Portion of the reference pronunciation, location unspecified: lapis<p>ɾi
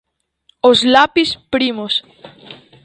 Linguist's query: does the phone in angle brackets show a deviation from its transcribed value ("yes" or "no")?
no